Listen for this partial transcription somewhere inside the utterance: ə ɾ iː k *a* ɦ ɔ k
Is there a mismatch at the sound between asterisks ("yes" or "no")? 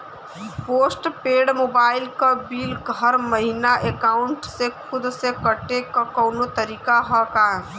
no